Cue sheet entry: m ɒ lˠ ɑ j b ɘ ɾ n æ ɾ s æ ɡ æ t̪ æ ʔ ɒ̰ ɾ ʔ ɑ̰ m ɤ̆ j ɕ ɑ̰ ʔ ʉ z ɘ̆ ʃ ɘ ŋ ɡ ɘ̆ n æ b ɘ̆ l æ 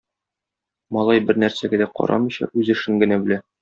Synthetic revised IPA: m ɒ lˠ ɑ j b ɘ ɾ n æ ɾ s æ ɡ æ d̪ æ q ɒ̰ ɾ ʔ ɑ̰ m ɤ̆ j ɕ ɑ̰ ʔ ʉ z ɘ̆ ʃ ɘ ŋ ɡ ɘ̆ n æ b ɘ̆ l æ

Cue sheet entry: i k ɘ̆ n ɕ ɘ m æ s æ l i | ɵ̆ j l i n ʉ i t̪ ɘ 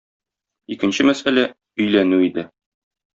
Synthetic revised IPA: i k ɘ̆ n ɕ ɘ m æ s æ l æ | ɵ̆ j l æ n ʉ i d̪ ɘ

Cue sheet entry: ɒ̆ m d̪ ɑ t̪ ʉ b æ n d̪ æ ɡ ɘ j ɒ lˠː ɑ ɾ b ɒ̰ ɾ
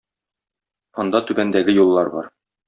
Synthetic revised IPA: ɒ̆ n d̪ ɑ t̪ ʉ b æ n d̪ æ ɡ ɘ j u lˠː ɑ ɾ b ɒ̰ ɾ

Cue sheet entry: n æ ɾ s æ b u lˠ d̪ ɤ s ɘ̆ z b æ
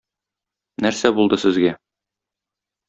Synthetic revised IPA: n æ ɾ s æ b u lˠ d̪ ɤ s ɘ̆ z ɡ æ

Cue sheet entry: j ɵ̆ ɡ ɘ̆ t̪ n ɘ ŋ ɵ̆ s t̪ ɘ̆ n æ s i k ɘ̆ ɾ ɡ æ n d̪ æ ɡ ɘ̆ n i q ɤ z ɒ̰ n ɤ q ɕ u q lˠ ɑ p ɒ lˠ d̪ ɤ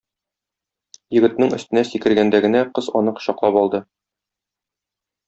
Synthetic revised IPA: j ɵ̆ ɡ ɘ̆ t̪ n ɘ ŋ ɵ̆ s t̪ ɘ̆ n æ s i k ɘ̆ ɾ ɡ æ n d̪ æ ɡ ɘ̆ n æ q ɤ z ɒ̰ n ɤ q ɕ ɒ q lˠ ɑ p ɒ lˠ d̪ ɤ

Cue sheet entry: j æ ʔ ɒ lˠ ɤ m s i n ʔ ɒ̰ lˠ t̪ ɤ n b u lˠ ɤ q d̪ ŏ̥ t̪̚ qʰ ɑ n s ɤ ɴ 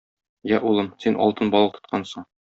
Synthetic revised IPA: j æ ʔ u lˠ ɤ m s i n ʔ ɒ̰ lˠ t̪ ɤ n b ɒ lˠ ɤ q t̪ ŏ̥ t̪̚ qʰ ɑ n s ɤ ɴ

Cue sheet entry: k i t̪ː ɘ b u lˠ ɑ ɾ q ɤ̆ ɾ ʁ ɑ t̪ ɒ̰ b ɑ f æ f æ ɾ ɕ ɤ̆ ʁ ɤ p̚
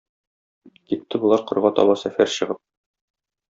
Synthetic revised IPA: k i t̪ː ɘ b u lˠ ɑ ɾ q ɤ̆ ɾ ʁ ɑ t̪ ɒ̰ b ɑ s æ f æ ɾ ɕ ɤ̆ ʁ ɤ p̚

